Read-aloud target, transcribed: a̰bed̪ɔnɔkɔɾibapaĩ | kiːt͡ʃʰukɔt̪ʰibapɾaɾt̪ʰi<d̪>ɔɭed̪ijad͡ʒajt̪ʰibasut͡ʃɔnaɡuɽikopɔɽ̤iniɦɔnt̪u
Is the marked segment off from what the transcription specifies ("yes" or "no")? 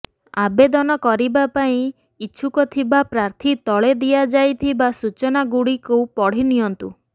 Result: yes